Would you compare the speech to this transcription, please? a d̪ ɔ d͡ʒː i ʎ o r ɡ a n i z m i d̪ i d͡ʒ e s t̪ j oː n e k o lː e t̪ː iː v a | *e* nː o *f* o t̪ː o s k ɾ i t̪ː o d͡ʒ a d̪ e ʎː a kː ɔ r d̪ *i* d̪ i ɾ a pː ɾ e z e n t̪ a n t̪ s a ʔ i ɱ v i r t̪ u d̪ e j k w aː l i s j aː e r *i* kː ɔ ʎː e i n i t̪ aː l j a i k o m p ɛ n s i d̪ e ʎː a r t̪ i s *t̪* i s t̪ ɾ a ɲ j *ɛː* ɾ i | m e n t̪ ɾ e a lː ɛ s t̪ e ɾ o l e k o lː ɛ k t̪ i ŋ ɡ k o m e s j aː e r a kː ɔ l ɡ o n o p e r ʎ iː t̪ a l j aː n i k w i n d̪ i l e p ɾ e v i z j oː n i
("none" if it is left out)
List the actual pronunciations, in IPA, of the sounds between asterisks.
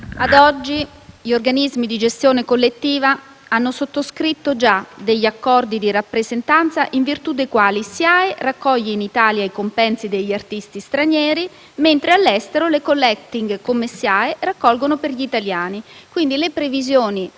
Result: a, s, i, a, t̪, ɛː

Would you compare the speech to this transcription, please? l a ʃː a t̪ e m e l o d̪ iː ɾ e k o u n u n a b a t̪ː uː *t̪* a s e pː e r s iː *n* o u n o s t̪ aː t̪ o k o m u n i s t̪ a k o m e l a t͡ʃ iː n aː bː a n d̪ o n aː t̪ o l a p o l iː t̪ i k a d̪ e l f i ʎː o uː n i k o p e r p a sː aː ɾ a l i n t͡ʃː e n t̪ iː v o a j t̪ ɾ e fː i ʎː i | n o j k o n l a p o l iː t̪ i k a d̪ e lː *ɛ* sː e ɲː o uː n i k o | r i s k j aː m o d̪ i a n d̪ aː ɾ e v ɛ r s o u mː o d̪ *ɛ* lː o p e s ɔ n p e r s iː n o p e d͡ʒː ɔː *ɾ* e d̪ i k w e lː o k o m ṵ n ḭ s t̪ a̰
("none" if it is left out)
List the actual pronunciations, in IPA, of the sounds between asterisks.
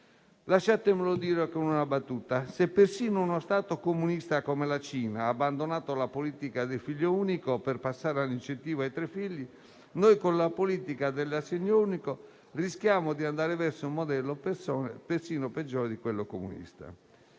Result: t̪, n, a, ɛ, ɾ

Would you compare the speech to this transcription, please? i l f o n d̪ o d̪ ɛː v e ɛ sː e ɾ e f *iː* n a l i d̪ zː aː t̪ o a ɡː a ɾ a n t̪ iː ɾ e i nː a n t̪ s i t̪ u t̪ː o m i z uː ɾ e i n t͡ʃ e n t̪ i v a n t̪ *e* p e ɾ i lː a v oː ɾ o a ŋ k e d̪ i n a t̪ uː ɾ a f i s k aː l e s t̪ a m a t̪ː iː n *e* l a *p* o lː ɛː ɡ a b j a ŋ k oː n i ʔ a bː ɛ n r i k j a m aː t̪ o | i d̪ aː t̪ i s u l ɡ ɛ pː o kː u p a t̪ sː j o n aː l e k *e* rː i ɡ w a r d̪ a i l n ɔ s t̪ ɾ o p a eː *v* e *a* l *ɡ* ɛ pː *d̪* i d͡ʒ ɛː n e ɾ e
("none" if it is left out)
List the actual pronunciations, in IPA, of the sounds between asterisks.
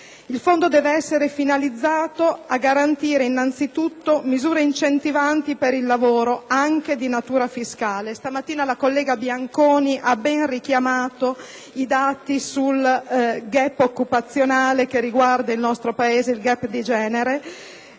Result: i, i, a, k, e, z, i, ɡ, d̪

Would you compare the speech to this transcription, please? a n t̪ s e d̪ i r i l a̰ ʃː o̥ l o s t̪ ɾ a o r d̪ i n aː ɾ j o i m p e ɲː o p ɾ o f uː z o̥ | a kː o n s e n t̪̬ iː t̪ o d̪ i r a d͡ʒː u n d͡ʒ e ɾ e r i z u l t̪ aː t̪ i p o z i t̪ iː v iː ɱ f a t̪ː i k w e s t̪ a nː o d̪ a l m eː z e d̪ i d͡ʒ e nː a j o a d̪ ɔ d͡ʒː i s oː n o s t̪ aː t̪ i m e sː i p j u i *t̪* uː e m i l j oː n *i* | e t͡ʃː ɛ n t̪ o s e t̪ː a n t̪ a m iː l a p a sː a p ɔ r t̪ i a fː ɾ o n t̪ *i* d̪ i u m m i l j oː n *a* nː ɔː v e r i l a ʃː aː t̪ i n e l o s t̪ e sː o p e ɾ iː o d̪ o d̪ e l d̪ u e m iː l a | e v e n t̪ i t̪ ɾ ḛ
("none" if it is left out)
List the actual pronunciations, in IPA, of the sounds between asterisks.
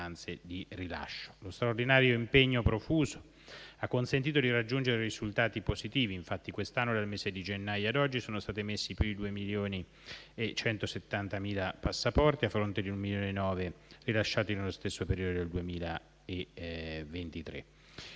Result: d̪, i, e, e

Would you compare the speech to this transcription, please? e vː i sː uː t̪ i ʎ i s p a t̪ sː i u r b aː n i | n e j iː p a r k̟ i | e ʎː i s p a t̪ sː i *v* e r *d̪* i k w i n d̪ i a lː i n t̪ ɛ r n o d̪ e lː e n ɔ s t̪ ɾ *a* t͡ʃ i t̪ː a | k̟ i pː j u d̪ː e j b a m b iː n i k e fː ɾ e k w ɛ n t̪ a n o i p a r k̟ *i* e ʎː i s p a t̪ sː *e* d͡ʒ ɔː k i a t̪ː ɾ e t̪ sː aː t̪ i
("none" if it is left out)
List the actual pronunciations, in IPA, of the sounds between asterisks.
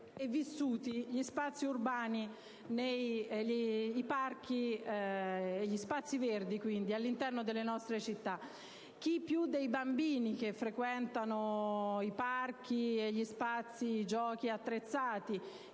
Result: v, d̪, e, i, i

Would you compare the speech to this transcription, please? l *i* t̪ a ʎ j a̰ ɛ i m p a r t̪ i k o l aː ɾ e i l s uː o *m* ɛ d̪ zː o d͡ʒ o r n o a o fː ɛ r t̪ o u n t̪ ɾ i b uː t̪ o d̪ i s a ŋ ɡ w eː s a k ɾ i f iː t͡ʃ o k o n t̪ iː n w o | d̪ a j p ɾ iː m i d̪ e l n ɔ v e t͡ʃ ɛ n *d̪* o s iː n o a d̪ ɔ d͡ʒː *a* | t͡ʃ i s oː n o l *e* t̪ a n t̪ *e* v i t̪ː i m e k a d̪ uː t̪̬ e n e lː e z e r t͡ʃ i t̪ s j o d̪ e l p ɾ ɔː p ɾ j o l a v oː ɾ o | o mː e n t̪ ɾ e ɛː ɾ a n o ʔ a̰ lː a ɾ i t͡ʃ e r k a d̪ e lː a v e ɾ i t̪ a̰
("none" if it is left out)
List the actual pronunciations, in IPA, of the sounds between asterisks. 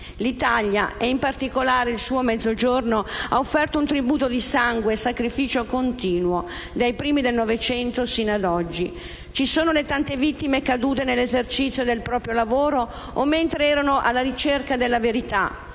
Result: i, m, t̪, i, e, e

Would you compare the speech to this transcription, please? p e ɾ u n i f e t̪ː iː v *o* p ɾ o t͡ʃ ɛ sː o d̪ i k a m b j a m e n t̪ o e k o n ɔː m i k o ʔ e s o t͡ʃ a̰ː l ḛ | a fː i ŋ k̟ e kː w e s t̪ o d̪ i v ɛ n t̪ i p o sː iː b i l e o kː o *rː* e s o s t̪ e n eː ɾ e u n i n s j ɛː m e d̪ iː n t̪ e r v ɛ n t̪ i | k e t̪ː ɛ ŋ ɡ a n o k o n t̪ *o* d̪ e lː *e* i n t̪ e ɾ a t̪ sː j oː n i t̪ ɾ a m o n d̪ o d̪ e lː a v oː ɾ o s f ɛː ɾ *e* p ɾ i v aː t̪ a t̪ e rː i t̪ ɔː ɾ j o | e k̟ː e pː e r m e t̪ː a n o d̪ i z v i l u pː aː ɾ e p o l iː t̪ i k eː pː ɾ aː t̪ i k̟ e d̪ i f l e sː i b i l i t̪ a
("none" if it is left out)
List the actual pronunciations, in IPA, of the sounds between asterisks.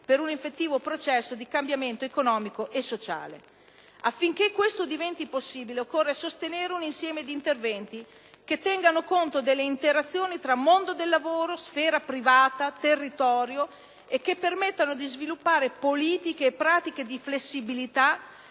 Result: o, rː, o, e, a

